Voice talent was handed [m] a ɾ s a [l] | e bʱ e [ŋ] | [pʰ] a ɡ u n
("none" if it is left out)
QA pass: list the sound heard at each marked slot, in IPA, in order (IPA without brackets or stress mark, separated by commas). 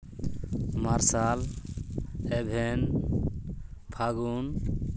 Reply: m, l, n, pʰ